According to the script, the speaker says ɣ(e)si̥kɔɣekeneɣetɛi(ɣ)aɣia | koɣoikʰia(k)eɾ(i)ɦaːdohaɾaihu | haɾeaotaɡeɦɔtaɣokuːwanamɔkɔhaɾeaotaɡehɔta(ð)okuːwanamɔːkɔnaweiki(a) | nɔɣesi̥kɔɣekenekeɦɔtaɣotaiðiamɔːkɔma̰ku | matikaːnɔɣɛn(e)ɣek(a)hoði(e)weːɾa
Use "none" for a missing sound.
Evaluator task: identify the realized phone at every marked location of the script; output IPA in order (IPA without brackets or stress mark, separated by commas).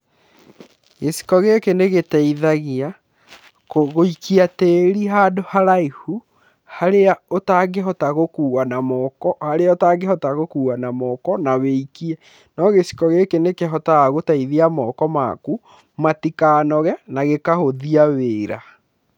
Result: e, ð, t, i, ɣ, ɛ, a, a, a